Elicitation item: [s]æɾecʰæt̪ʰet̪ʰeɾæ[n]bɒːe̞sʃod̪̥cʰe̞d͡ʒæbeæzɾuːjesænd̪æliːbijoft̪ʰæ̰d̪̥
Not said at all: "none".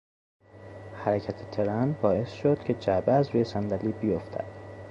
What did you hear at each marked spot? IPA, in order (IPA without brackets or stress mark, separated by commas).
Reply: h, n